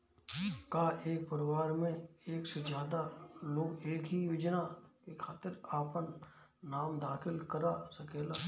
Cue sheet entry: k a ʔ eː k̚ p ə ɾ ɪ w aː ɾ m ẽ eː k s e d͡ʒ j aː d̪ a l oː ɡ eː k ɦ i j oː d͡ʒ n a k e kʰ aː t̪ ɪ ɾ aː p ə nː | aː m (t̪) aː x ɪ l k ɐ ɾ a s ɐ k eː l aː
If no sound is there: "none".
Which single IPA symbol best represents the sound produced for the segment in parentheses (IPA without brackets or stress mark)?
d̪